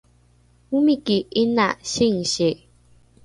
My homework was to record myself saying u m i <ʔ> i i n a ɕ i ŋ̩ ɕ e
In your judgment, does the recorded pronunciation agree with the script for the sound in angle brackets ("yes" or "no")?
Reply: no